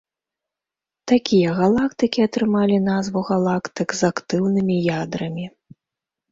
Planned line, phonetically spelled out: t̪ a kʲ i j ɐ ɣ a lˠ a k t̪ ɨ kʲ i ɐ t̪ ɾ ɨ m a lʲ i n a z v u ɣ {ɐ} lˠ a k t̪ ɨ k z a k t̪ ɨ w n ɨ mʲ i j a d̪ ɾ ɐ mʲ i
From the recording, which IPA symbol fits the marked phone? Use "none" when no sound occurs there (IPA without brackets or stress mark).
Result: a